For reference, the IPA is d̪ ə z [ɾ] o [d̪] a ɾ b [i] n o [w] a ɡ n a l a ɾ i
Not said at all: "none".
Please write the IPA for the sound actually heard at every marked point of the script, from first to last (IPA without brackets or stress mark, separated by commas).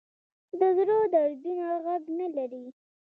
ɾ, d̪, i, ɣ